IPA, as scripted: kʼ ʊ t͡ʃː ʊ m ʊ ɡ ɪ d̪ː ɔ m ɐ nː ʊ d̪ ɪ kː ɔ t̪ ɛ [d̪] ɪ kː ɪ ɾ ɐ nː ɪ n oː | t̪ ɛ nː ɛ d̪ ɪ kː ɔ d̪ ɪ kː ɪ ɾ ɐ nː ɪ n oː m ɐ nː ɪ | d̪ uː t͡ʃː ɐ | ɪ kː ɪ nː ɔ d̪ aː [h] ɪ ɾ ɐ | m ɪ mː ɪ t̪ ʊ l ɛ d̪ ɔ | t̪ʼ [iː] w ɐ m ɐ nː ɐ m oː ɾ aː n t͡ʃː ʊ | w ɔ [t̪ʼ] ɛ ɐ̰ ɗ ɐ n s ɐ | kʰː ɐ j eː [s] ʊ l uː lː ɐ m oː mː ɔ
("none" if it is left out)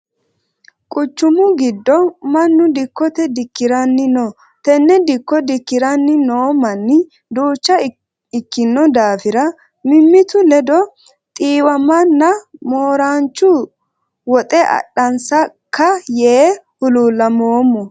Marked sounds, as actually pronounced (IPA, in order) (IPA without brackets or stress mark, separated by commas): d̪, f, iː, t̪ʼ, h